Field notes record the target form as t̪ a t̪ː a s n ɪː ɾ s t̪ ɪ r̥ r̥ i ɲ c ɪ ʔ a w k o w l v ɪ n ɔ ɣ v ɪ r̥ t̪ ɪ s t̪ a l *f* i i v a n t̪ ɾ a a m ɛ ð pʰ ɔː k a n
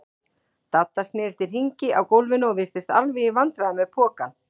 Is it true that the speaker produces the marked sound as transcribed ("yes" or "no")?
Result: no